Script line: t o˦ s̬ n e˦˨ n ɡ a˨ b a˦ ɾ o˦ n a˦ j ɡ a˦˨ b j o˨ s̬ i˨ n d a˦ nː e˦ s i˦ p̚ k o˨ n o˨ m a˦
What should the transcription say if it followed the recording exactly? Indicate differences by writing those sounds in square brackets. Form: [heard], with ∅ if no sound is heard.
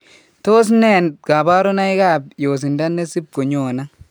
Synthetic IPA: t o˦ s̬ n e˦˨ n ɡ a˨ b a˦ ɾ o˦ n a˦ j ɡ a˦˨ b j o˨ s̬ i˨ n d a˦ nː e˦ s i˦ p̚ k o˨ [ɲ] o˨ [n] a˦